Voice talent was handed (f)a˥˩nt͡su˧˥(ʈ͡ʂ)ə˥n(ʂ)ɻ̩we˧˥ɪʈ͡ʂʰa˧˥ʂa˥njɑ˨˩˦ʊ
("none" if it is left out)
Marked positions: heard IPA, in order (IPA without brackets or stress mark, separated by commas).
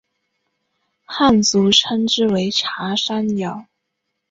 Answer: x, ʈ͡ʂʰ, ʈ͡ʂ